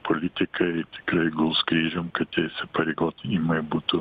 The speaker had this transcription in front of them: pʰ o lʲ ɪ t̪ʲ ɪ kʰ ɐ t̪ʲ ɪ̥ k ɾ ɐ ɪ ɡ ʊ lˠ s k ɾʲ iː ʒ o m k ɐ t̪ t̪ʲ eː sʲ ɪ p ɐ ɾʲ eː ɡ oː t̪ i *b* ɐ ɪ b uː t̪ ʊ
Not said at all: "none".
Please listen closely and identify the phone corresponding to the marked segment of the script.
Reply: m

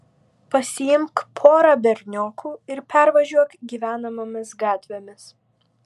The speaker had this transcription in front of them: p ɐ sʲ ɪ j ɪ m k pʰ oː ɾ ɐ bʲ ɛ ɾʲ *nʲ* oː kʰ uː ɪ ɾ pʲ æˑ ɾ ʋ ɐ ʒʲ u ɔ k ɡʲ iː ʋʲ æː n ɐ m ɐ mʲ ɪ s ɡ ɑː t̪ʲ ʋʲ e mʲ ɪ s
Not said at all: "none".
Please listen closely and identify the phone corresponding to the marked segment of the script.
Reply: nʲ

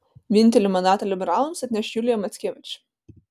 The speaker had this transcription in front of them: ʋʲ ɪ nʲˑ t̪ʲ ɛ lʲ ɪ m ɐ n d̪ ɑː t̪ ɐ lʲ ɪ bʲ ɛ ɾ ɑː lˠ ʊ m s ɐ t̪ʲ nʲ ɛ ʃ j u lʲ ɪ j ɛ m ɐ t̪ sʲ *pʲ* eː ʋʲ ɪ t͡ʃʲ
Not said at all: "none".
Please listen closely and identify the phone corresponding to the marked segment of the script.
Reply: kʲ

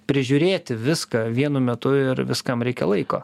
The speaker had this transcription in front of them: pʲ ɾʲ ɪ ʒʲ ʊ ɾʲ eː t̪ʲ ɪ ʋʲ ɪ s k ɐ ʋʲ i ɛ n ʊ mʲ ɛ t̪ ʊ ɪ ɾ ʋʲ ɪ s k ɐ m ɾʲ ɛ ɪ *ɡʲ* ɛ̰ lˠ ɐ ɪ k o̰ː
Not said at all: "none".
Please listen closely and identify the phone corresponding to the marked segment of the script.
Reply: kʲ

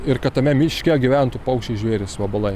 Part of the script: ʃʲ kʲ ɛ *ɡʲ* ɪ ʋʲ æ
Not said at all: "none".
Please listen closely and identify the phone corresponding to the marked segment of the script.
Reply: ɡʲ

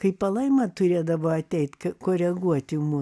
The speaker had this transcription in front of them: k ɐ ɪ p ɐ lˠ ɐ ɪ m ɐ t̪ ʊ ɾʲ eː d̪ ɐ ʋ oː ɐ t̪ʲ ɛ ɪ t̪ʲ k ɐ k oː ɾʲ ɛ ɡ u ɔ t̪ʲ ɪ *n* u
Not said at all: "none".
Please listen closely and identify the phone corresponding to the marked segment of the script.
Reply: m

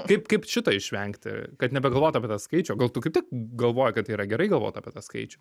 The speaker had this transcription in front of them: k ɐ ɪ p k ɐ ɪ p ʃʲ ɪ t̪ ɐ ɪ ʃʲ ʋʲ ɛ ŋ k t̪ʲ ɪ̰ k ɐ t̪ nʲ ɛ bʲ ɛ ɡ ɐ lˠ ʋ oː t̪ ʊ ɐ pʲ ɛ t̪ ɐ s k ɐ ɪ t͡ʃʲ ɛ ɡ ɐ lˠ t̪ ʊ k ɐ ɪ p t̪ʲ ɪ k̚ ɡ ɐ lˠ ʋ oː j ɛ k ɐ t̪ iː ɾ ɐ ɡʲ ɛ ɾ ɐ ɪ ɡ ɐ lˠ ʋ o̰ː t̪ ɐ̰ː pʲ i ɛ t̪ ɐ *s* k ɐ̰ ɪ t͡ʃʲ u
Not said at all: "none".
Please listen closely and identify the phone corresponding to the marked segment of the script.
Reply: s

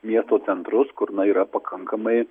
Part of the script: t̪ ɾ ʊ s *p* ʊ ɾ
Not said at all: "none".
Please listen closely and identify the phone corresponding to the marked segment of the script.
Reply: k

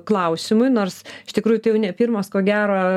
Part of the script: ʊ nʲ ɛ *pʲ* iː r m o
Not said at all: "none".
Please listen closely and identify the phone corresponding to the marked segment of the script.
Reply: pʲ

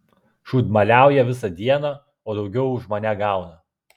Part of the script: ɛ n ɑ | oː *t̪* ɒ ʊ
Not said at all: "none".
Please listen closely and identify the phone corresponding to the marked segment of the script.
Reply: d̪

